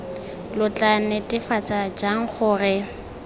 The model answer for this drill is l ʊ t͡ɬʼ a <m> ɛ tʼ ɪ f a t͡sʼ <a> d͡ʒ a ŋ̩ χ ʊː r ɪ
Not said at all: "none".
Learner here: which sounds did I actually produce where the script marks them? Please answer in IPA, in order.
n, a

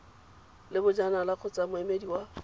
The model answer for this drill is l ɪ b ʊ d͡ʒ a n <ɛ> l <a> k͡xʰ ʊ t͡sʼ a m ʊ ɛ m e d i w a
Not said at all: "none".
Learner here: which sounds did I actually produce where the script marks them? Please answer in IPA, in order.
a, a

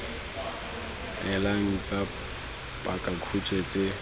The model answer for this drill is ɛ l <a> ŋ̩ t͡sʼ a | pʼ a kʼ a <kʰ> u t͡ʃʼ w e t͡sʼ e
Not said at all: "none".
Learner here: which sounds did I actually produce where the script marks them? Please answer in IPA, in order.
a, kʰ

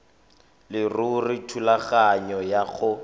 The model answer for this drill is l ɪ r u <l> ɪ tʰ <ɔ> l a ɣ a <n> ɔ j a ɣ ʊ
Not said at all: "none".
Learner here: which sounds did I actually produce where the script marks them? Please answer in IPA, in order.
r, u, ɲ

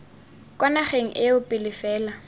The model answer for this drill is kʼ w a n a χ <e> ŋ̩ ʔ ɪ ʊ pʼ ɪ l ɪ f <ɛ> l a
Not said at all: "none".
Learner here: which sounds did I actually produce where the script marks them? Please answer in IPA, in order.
e, ɛː

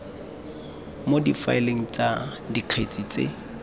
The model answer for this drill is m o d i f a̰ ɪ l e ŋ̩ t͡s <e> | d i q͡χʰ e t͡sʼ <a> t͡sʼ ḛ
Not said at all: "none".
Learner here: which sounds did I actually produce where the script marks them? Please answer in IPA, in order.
a, i

